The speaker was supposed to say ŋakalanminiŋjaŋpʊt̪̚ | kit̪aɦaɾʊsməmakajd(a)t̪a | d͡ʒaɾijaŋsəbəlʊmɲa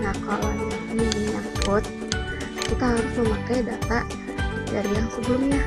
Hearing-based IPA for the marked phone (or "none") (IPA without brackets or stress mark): a